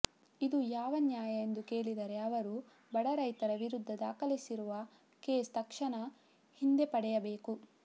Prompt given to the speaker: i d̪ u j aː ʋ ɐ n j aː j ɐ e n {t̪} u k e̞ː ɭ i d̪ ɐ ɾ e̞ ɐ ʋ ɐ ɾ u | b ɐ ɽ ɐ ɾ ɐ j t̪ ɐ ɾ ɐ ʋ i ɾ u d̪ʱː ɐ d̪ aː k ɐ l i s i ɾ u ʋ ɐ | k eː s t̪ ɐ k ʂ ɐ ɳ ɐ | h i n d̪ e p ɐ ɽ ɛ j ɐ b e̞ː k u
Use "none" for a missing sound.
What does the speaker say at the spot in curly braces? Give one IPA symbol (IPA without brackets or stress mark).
d̪